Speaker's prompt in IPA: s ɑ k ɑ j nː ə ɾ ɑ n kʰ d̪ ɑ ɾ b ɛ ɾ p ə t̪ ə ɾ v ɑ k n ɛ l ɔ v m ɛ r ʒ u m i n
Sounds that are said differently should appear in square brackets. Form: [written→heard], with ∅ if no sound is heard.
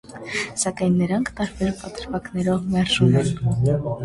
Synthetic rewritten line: s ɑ k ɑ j nː ə ɾ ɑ [n→ŋ] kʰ [d̪→t̪] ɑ ɾ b ɛ ɾ p [ə→ɑ] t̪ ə ɾ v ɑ k n ɛ [l→ɾ] ɔ v m ɛ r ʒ u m [i→ɛ] n